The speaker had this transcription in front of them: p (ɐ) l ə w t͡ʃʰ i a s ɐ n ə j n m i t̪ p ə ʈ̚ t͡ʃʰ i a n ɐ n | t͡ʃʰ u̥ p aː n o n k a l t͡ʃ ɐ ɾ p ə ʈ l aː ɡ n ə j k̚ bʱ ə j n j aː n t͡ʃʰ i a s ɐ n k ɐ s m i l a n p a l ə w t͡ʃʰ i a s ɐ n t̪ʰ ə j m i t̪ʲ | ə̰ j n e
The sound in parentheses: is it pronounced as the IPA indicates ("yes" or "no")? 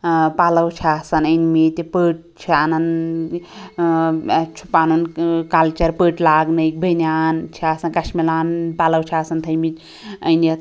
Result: no